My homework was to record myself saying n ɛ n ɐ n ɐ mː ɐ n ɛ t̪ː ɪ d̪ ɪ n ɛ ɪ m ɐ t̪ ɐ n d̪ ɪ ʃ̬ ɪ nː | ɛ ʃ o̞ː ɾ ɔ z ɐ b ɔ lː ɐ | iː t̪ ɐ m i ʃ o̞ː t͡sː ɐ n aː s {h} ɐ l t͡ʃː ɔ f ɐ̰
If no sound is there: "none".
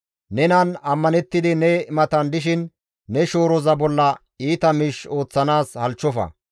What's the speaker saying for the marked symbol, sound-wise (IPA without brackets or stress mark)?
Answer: h